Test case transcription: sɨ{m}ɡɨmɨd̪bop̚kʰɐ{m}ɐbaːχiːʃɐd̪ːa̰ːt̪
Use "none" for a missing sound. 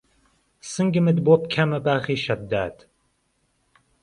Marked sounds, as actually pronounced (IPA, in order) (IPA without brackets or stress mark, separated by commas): ŋ, m